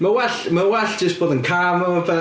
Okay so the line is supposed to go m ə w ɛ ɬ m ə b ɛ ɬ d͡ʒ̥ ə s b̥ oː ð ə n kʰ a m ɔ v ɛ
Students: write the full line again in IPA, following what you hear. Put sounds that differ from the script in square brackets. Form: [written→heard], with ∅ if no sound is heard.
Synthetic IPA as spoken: m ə w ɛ ɬ m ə [b→w] ɛ ɬ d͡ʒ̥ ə s b̥ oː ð ə n kʰ a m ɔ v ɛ

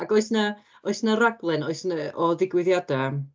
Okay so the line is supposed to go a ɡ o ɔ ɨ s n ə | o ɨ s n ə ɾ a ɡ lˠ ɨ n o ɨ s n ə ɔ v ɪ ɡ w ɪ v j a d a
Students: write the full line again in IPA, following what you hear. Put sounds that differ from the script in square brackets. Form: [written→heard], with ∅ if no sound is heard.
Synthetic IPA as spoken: a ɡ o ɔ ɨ s n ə | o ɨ s n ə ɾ a ɡ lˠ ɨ n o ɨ s n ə ɔ [v→ð] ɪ ɡ w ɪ [v→ð] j a d a

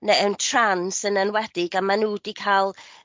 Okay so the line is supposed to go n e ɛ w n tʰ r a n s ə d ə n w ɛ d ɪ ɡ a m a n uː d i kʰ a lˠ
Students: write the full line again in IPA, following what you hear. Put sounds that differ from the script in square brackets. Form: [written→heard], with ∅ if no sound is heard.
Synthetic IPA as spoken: n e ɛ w n tʰ r a n s ə [d→n] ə n w ɛ d ɪ ɡ a m a n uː d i kʰ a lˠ

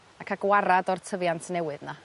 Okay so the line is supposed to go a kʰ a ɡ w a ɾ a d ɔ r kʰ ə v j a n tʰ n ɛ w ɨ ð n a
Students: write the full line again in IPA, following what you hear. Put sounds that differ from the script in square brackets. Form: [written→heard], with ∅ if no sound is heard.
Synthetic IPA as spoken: a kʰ a ɡ w a ɾ a d ɔ r [kʰ→tʰ] ə v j a n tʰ n ɛ w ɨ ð n a

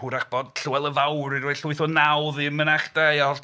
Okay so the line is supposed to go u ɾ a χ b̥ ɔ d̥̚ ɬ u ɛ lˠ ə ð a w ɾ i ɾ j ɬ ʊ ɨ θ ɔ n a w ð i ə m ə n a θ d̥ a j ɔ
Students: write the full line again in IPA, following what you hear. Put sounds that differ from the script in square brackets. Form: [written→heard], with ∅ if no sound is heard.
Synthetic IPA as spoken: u ɾ a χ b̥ ɔ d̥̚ ɬ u ɛ lˠ ə [ð→v] a w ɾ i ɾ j ɬ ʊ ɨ θ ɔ n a w ð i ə m ə n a [θ→χ] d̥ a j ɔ

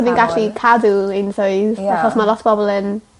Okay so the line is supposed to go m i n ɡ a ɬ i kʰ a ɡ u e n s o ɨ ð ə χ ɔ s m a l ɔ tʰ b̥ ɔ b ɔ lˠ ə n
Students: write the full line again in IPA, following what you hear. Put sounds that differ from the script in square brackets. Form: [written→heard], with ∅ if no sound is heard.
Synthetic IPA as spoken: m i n ɡ a ɬ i kʰ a [ɡ→d] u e n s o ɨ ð [ə→a] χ ɔ s m a l ɔ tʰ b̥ ɔ b ɔ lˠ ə n

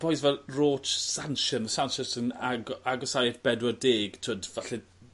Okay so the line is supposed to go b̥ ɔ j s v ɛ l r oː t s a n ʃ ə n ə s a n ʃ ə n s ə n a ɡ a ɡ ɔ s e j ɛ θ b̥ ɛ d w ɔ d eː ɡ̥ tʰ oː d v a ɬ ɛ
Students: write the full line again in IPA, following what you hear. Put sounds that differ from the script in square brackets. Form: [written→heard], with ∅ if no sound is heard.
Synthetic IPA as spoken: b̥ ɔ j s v ɛ l r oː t s a n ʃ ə n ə s a n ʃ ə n s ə n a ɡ a ɡ ɔ s [e→a] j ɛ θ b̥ ɛ d w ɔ d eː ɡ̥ tʰ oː d v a ɬ ɛ

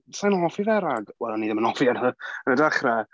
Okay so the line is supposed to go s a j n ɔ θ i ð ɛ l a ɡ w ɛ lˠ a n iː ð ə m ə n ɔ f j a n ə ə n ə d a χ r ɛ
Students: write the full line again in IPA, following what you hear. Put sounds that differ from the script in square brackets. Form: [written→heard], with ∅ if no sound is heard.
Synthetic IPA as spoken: s a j n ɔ [θ→f] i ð ɛ [l→ɾ] a ɡ w ɛ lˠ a n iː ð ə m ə n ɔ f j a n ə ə n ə d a χ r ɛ

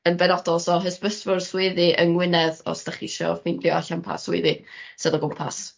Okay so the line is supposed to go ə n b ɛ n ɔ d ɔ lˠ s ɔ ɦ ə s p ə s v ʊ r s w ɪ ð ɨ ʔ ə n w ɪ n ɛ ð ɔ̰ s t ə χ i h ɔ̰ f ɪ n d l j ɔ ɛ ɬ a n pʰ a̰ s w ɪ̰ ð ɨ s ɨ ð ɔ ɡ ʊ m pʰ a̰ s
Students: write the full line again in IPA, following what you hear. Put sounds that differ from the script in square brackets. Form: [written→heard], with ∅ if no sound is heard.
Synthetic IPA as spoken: ə n b ɛ n ɔ d ɔ lˠ s ɔ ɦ ə s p ə s v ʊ r s w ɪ ð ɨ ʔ ə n w ɪ n ɛ ð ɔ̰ s t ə χ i [h→ʃ] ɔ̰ f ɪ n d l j ɔ [ɛ→a] ɬ a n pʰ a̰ s w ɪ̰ ð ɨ s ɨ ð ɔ ɡ ʊ m pʰ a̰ s

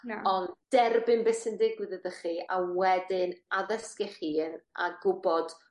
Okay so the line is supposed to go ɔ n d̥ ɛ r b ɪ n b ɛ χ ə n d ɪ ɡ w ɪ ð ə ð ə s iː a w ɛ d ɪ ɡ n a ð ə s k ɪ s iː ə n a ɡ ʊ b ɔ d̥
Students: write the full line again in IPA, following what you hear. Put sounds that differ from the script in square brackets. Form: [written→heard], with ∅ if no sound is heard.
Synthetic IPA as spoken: ɔ n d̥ ɛ r b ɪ n b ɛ [χ→s] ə n d ɪ ɡ w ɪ ð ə ð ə [s→χ] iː a w ɛ d ɪ [ɡ→∅] n a ð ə s k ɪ [s→χ] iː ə n a ɡ ʊ b ɔ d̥

